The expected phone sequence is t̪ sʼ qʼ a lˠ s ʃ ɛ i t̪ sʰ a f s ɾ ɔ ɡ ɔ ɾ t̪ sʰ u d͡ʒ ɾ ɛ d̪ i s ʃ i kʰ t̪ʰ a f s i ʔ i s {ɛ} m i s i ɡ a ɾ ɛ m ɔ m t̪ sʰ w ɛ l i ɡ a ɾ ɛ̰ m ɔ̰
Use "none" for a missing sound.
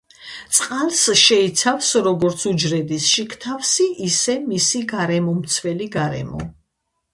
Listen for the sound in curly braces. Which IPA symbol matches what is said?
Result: ɛ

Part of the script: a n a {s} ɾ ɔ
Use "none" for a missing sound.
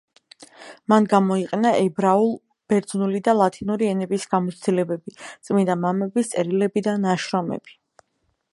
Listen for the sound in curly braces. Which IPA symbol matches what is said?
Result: ʃ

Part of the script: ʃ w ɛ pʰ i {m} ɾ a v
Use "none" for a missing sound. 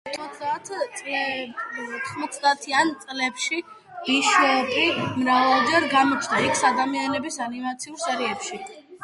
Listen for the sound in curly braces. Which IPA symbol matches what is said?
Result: m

